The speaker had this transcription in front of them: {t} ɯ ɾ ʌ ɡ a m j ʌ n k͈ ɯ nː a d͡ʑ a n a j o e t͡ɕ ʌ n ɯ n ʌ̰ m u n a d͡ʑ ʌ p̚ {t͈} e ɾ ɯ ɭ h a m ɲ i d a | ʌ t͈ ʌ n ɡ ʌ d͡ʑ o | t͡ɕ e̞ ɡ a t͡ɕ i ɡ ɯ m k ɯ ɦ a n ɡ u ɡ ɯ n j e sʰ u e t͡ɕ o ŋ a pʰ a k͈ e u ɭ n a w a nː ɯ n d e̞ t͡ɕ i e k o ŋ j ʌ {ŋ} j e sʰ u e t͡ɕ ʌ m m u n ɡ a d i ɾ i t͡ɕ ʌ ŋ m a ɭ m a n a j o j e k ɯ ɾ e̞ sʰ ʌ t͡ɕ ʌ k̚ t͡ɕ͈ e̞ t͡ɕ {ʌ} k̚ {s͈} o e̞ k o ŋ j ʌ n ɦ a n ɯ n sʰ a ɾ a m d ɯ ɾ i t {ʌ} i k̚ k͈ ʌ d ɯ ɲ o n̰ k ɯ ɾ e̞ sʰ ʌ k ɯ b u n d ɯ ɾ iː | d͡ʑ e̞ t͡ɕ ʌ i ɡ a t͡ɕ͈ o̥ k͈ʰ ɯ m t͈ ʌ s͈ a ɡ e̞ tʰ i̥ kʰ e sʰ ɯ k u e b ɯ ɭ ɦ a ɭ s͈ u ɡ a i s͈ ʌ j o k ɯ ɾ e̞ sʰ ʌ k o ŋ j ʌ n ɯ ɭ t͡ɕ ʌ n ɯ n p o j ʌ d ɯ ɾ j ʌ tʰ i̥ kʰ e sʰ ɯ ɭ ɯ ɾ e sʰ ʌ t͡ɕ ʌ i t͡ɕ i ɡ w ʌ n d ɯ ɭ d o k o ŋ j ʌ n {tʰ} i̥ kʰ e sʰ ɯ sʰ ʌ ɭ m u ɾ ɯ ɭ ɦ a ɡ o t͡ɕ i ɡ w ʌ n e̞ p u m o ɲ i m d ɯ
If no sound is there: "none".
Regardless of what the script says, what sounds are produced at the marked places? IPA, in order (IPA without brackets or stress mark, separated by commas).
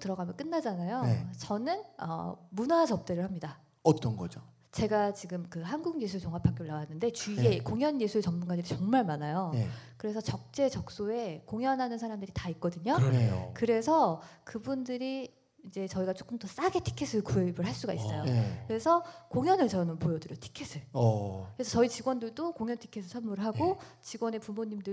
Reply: t, t͈, n, ʌ, s͈, a, tʰ